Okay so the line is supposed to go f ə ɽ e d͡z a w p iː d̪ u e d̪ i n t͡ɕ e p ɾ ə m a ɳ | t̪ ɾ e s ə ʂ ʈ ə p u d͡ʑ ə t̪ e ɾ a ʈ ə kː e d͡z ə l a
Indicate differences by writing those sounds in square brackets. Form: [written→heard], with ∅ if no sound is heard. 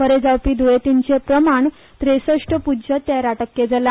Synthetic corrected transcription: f ə [ɽ→ɾ] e d͡z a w p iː d̪ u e [d̪→t̪] i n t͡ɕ e p ɾ ə m a ɳ | t̪ ɾ e s ə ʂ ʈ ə p u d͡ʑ ə t̪ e ɾ a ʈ ə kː e d͡z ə l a